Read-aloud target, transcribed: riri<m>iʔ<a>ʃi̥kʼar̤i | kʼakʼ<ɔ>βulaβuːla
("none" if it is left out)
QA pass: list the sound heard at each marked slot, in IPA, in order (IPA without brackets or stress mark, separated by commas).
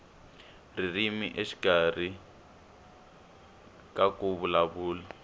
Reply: m, e, u